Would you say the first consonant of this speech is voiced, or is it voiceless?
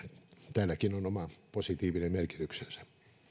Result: voiceless